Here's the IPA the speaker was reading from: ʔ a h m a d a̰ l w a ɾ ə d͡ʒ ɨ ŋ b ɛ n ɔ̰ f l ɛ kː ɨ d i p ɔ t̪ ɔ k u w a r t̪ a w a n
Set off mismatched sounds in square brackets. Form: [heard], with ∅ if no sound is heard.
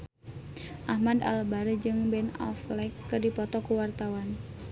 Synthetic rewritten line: ʔ a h m a d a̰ l [b] a ɾ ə d͡ʒ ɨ ŋ b ɛ n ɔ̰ f l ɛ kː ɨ d i p ɔ t̪ ɔ k u w a r t̪ a w a n